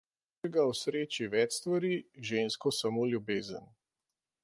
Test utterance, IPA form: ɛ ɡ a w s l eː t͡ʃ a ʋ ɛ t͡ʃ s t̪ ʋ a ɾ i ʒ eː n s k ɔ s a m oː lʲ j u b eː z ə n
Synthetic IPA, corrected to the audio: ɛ ɡ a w s ɾ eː t͡ʃ i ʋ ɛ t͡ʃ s t̪ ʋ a ɾ i ʒ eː n s k ɔ s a m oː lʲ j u b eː z ə n